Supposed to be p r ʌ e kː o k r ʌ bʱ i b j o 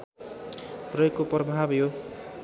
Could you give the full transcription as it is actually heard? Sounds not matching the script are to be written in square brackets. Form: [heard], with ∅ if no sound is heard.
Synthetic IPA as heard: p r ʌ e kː o [p] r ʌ bʱ [a] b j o

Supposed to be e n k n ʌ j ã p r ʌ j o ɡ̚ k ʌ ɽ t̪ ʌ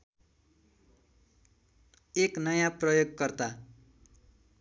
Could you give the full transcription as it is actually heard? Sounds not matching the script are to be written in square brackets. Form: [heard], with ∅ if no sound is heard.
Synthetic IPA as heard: e [∅] k n ʌ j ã p r ʌ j o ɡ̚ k ʌ [r] t̪ [a]

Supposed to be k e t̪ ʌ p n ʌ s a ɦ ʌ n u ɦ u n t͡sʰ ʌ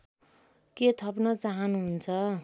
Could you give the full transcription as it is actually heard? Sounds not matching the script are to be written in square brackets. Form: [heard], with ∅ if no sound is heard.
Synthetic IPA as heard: k e [t̪ʰ] ʌ p n ʌ [t͡s] a ɦ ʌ n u ɦ u n t͡sʰ ʌ

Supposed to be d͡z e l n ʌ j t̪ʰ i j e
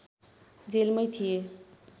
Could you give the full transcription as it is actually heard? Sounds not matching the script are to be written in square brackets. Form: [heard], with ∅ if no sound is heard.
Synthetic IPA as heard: d͡z e l [m] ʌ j t̪ʰ i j e

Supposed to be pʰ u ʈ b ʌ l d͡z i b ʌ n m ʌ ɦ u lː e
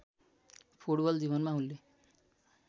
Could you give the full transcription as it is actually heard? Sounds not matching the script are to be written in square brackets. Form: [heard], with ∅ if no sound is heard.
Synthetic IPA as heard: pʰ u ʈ b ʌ l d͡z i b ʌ n m [a] ɦ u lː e

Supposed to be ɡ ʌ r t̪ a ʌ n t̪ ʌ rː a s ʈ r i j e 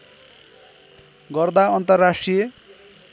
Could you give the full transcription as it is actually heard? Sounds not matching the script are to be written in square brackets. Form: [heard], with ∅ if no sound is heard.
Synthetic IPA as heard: ɡ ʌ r [d̪] a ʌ n t̪ ʌ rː a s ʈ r i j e

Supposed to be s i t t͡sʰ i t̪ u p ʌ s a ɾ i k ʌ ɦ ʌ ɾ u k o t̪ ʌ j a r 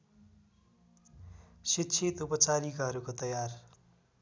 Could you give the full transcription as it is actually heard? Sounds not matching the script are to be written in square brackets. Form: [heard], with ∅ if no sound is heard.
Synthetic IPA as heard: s i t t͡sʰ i t̪ u p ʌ [t͡s] a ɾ i k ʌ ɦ ʌ ɾ u k o t̪ ʌ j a r

